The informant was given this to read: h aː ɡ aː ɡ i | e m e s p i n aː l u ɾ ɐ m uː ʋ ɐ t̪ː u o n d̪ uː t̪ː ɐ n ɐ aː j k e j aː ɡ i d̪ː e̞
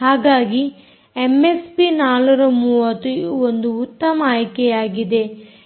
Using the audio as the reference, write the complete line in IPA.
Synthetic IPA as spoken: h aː ɡ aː ɡ i | e m e s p i n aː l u ɾ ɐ m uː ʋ ɐ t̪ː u o n d̪ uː t̪ː ɐ m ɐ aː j k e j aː ɡ i d̪ e̞